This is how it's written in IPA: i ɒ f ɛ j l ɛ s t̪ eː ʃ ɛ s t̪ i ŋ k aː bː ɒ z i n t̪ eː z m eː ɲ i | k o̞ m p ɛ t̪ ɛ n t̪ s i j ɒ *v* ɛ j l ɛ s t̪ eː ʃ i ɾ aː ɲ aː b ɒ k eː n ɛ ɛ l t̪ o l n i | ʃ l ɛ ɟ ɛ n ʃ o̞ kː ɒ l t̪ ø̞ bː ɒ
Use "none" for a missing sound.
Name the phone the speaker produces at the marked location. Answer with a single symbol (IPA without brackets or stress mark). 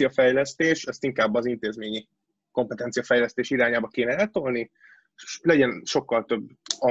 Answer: f